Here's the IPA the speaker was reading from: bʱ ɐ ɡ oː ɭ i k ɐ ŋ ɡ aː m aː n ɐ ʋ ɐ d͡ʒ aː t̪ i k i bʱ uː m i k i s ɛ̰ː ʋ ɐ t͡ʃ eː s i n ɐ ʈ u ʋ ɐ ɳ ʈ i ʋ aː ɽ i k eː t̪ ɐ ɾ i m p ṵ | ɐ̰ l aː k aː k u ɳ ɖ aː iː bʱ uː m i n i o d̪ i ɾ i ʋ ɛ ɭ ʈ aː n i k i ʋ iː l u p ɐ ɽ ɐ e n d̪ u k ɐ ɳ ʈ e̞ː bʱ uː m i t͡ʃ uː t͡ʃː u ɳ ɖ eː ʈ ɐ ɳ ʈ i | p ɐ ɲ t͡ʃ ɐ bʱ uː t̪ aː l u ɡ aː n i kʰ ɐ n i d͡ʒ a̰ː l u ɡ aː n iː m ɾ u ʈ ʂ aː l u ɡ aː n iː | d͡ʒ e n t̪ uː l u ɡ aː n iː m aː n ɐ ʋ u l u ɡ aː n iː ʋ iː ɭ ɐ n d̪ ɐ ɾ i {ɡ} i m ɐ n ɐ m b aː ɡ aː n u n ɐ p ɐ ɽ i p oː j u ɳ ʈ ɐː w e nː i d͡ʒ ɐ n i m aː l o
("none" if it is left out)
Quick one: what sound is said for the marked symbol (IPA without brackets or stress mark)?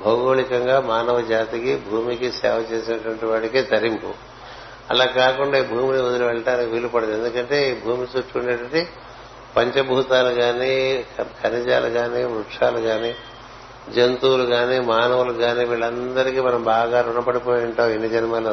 k